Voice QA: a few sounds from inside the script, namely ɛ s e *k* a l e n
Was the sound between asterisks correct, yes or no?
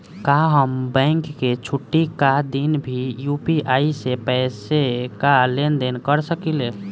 yes